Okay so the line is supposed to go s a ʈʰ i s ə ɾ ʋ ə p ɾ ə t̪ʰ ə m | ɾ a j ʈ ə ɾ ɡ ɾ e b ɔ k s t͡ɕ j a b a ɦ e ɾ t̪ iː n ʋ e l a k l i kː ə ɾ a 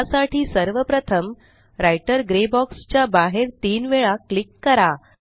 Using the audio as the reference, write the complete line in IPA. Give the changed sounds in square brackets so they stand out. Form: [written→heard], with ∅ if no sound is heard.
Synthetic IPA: s a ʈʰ [i→iː] s ə ɾ ʋ ə p ɾ ə t̪ʰ ə m | ɾ a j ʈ ə ɾ ɡ ɾ e b ɔ k s t͡ɕ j a b a ɦ e ɾ t̪ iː n ʋ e [l→ɭ] a k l i kː ə ɾ a